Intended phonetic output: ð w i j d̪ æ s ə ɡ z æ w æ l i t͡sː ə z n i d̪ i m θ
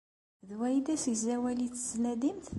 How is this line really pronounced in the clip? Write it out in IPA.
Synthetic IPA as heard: ð w æ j d̪ æ s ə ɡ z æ w æ l i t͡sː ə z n æ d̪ i m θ